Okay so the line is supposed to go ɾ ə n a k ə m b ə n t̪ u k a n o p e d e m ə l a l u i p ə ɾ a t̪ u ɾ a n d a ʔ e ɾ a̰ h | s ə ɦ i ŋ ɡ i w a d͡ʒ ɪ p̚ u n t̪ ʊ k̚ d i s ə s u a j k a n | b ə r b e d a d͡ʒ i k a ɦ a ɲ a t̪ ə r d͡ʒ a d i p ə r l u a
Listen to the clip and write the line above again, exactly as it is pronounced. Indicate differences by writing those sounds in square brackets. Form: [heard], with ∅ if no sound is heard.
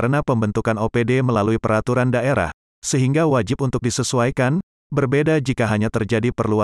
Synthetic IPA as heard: ɾ ə n a [p] ə m b ə n t̪ u k a n o p e d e m ə l a l u i p ə ɾ a t̪ u ɾ a n d a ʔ e ɾ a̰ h | s ə ɦ i ŋ ɡ [a] w a d͡ʒ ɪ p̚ u n t̪ ʊ k̚ d i s ə s u a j k a n | b ə r b e d a d͡ʒ i k a ɦ a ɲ a t̪ ə r d͡ʒ a d i p ə r l u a